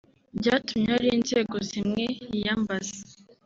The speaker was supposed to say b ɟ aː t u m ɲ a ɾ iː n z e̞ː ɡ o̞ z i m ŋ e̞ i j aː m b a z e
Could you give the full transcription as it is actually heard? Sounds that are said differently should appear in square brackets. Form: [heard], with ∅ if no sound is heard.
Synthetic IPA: b ɟ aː t u m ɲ a ɾ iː n z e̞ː ɡ o̞ z i m ŋ e̞ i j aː m b a z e

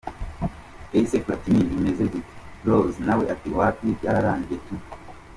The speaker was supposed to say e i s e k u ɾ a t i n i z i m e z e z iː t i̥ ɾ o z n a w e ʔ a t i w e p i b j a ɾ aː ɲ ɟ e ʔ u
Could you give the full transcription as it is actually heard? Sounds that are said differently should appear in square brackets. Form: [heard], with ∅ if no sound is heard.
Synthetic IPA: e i s e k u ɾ a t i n i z i m e z e z [i] t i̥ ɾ o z n a w e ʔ a t i w [a] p i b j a ɾ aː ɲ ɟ e [t] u

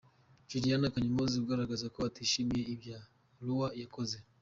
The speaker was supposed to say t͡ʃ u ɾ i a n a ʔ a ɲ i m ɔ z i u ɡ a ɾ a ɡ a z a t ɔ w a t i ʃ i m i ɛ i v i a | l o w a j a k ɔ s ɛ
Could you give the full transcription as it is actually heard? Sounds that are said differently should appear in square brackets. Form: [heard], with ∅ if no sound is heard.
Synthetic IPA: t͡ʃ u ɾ i a n a [k] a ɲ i m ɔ z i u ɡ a ɾ a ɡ a z a [k] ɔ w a t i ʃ i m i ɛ i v [j] a | l [u] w a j a k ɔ [z] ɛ

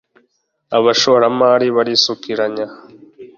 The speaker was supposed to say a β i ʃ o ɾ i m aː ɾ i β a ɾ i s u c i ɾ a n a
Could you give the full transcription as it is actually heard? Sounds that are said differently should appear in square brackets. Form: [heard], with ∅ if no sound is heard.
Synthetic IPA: a β [a] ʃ o ɾ [a] m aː ɾ i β a ɾ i s u [k] i ɾ a [ɲ] a

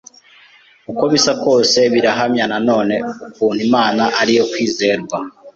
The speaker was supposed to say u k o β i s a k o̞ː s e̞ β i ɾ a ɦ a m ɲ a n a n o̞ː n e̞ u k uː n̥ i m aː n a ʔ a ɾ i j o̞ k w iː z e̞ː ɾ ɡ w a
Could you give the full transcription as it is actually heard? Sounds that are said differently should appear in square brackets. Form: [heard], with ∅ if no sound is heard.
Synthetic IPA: u k o β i s a k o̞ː s e̞ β i ɾ a ɦ a m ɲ a n a n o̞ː n e̞ u k uː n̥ i m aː n a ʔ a ɾ i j o̞ k w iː z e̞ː ɾ ɡ w a

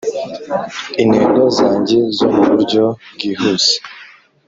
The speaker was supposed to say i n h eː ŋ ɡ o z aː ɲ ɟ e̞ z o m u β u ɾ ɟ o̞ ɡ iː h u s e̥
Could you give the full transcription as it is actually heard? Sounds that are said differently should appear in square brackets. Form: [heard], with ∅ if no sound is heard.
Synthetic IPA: i n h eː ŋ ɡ o z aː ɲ ɟ e̞ z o m u β u ɾ ɟ o̞ ɡ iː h u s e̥

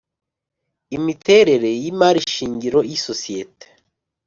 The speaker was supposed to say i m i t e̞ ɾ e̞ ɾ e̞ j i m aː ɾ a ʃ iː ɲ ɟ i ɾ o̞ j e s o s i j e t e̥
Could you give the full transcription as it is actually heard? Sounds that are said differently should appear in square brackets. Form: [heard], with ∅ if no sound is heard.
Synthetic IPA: i m i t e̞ ɾ e̞ ɾ e̞ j i m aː ɾ [i] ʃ iː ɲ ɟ i ɾ o̞ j [i] s o s i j e t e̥

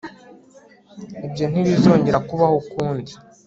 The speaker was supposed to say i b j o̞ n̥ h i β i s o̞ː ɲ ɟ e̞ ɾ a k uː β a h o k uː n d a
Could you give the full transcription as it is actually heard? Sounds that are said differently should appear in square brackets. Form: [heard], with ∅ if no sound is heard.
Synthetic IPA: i b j o̞ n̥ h i β i [z] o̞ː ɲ ɟ e̞ ɾ a k [u] β a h o k uː n d [i]

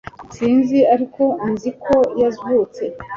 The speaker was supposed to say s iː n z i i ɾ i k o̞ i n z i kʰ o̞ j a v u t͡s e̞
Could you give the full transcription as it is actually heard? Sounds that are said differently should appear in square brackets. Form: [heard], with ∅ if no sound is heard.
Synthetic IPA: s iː n z i [a] ɾ i k o̞ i n z i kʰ o̞ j a [z] u t͡s e̞

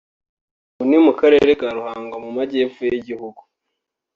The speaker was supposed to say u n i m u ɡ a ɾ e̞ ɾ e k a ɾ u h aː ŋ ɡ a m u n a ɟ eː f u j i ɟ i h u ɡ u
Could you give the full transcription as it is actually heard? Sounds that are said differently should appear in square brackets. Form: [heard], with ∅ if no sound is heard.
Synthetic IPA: u n i m u [k] a ɾ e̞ ɾ e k a ɾ u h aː ŋ ɡ a m u [m] a ɟ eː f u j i ɟ i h u ɡ u

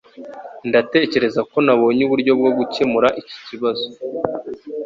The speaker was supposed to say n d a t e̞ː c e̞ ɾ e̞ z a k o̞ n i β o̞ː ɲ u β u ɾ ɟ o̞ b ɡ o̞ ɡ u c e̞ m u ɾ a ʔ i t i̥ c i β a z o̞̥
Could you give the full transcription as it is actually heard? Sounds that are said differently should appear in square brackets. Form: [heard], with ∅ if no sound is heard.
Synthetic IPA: n d a t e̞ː c e̞ ɾ e̞ z a k o̞ n [a] β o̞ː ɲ u β u ɾ ɟ o̞ b ɡ o̞ ɡ u c e̞ m u ɾ a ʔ i [c] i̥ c i β a z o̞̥

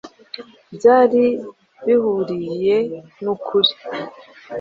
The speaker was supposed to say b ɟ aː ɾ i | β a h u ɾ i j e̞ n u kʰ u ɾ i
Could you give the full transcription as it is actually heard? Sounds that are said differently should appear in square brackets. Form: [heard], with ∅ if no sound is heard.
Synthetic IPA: b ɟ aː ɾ i | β [i] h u ɾ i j e̞ n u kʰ u ɾ i

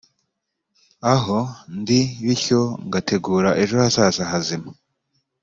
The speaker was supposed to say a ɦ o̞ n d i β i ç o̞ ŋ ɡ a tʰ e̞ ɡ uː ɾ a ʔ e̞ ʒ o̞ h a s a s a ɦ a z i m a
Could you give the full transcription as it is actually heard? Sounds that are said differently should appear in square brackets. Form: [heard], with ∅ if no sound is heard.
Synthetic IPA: a ɦ o̞ n d i β i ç o̞ ŋ ɡ a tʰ e̞ ɡ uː ɾ a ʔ e̞ ʒ o̞ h a s a s a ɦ a z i m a

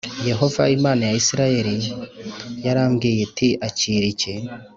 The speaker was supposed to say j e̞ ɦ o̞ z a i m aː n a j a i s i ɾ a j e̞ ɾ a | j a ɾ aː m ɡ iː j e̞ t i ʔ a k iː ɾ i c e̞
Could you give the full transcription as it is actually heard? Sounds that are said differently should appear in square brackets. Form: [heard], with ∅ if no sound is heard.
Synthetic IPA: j e̞ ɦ o̞ [v] a i m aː n a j a i s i ɾ a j e̞ ɾ [i] | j a ɾ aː m ɡ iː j e̞ t i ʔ a [c] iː ɾ i c e̞

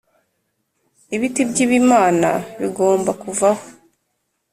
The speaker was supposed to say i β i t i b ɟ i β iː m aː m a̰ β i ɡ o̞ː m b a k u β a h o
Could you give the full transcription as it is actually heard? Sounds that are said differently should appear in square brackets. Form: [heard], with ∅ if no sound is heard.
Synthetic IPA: i β i t i b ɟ i β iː m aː [n] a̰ β i ɡ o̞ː m b a k u [v] a h o

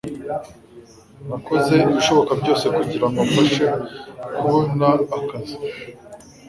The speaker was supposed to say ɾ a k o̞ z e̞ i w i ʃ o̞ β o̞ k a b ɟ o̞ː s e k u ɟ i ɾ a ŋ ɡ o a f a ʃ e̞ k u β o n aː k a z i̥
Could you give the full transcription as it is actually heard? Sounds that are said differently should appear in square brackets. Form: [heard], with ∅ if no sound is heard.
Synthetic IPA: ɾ a k o̞ z e̞ i [β] i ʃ o̞ β o̞ k a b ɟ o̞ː s e k u ɟ i ɾ a ŋ ɡ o a f a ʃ e̞ k u β o n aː k a z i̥

